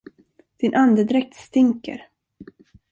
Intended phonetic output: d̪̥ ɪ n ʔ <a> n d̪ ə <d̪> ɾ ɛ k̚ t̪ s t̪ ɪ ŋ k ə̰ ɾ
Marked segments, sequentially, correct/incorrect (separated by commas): correct, correct